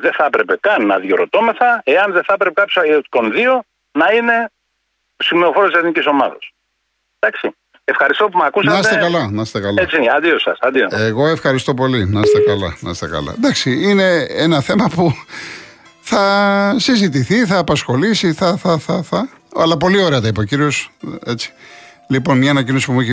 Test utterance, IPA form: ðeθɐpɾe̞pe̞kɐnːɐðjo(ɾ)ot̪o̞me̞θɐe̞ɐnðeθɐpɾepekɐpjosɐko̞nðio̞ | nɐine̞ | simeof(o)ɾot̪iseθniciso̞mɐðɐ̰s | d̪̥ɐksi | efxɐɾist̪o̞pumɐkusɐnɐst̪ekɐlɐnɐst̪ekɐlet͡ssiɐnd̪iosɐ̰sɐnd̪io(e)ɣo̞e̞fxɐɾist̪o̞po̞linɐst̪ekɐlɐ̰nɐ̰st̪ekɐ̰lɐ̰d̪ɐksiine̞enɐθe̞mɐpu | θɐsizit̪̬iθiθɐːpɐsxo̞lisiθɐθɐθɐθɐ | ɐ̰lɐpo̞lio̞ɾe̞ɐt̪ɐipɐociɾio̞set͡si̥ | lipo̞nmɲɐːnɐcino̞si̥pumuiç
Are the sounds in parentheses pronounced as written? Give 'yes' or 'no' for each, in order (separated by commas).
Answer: yes, yes, yes